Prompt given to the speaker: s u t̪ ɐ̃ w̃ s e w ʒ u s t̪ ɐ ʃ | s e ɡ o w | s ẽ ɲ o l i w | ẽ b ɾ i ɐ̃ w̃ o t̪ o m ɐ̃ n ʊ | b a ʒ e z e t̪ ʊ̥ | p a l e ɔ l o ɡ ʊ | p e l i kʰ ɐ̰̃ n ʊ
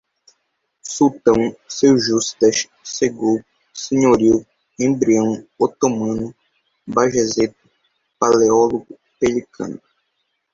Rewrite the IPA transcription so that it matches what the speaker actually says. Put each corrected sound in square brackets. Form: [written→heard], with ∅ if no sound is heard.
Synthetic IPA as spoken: s u t̪ ɐ̃ w̃ s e w ʒ u s t̪ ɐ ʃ | s e ɡ o w | s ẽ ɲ o [l→ɾ] i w | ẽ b ɾ i ɐ̃ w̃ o t̪ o m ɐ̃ n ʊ | b a ʒ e z e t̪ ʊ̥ | p a l e ɔ l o ɡ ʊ | p e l i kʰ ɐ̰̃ n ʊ

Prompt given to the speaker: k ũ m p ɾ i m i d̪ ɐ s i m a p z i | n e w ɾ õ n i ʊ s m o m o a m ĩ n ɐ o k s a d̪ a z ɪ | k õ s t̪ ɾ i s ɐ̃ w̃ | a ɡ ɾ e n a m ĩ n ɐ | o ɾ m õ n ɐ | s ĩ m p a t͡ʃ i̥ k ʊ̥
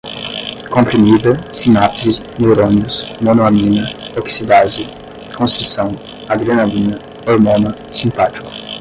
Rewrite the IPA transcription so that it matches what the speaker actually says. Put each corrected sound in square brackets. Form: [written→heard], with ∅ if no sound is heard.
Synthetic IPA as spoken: k [ũ→õ] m p ɾ i m i d̪ ɐ s i [m→n] a p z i | n e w ɾ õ n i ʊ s m o [m→n] o a m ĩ n ɐ o k s [a→i] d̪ a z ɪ | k õ s t̪ ɾ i s ɐ̃ w̃ | a ɡ ɾ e n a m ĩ n ɐ | o ɾ m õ n ɐ | s ĩ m p a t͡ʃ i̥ k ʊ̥

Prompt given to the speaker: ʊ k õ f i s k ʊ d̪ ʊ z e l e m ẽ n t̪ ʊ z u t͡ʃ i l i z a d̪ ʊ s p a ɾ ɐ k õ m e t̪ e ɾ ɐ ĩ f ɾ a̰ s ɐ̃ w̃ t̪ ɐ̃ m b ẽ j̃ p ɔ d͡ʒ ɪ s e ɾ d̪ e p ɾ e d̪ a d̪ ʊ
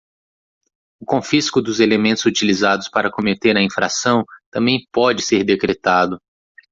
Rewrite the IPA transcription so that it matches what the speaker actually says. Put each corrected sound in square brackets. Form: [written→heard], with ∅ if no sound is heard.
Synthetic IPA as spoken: ʊ k õ f i s k ʊ d̪ ʊ z e l e m ẽ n t̪ ʊ z u t͡ʃ i l i z a d̪ ʊ s p a ɾ ɐ k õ m e t̪ e ɾ ɐ ĩ f ɾ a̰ s ɐ̃ w̃ t̪ ɐ̃ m b ẽ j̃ p ɔ d͡ʒ ɪ s e ɾ d̪ e [p→k] ɾ e [d̪→t̪] a d̪ ʊ

